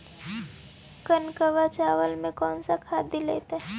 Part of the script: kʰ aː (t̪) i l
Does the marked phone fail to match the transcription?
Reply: yes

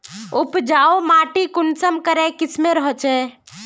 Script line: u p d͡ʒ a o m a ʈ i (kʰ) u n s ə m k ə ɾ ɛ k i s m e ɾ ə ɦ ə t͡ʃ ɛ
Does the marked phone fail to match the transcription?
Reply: yes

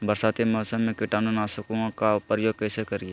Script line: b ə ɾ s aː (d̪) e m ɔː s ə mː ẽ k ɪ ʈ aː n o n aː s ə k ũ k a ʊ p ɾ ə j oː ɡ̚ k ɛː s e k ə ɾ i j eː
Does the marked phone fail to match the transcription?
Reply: yes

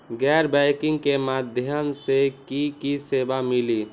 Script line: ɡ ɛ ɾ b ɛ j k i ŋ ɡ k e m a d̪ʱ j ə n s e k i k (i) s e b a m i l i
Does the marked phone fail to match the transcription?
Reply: no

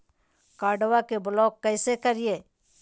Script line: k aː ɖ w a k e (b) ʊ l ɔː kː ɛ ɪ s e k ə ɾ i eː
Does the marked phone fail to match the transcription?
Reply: no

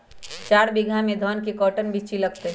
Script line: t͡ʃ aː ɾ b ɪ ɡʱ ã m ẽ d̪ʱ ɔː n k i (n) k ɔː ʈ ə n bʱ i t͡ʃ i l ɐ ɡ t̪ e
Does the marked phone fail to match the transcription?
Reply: yes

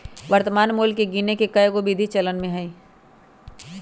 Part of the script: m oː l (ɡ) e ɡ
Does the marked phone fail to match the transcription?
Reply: yes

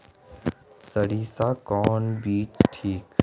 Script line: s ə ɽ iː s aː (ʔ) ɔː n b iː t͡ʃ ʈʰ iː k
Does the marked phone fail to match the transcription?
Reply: yes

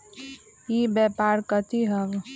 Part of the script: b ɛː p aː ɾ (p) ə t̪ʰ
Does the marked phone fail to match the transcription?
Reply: yes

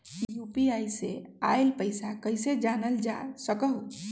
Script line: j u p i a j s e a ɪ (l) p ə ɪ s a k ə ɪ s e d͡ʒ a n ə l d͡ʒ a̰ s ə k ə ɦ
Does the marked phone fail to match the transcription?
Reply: no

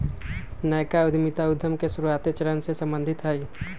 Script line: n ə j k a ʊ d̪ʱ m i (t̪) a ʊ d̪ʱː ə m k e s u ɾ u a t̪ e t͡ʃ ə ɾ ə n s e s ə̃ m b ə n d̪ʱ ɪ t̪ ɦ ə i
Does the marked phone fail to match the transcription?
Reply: no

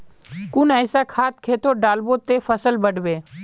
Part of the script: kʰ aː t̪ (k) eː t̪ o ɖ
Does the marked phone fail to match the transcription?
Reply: yes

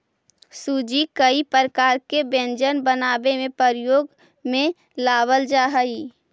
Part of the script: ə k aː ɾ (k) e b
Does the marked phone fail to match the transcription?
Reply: no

